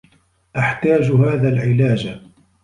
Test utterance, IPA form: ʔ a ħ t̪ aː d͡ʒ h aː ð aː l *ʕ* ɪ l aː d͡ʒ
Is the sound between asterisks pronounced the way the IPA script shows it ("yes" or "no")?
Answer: yes